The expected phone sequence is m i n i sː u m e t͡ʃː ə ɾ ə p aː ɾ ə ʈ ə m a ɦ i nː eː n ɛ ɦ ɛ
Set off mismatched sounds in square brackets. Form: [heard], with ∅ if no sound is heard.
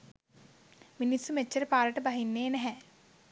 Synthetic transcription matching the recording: m i n i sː u m e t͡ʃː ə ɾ ə p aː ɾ ə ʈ ə [b] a ɦ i nː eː n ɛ ɦ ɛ